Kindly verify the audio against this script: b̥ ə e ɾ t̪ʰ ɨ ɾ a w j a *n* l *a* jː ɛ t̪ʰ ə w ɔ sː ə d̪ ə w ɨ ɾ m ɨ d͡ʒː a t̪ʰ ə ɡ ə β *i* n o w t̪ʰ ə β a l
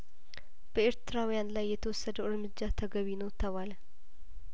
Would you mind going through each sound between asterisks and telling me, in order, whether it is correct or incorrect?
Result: correct, correct, correct

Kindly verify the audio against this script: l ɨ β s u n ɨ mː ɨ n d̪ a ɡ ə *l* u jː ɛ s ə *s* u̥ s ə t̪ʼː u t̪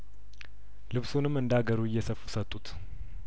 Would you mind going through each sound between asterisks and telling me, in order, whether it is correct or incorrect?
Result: incorrect: ɾ, incorrect: f

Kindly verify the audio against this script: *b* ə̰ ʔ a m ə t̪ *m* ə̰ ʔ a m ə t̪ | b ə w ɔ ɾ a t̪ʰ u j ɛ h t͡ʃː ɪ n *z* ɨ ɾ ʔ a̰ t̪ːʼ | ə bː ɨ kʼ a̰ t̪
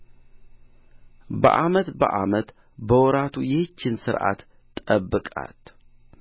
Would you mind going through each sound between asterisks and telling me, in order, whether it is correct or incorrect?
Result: correct, incorrect: b, incorrect: s

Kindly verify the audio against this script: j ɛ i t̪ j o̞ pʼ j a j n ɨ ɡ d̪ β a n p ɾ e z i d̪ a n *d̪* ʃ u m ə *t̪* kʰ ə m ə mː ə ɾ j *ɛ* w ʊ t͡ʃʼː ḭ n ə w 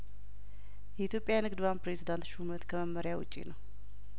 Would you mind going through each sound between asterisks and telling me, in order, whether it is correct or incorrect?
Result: incorrect: t̪, correct, incorrect: a

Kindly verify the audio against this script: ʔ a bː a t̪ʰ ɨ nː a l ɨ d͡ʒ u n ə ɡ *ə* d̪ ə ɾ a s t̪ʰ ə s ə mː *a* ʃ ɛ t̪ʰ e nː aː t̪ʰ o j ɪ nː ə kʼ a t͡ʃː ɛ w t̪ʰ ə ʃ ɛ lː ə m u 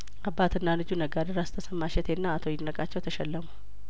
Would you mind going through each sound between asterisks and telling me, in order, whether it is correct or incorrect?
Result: incorrect: a, correct

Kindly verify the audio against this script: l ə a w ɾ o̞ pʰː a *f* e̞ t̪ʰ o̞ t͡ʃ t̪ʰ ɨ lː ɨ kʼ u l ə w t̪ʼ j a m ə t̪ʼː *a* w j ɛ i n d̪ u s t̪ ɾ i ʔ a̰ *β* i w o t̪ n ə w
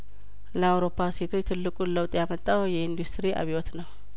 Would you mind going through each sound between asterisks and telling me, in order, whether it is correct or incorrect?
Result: incorrect: s, correct, correct

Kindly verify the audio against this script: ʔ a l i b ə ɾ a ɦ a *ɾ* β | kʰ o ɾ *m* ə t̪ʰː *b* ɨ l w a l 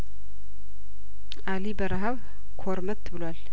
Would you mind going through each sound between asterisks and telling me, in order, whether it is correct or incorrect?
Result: incorrect: none, correct, correct

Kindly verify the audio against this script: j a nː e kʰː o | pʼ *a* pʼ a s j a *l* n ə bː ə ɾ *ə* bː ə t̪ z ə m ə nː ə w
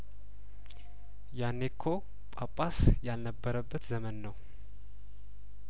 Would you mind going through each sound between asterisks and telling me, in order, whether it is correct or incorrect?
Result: correct, correct, correct

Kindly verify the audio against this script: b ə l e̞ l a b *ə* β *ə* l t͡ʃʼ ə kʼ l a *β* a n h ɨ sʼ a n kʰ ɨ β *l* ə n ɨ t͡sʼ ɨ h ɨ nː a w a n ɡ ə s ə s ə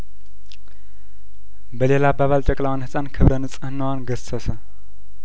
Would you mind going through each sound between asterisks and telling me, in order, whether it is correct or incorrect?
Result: incorrect: a, incorrect: a, incorrect: w, incorrect: ɾ

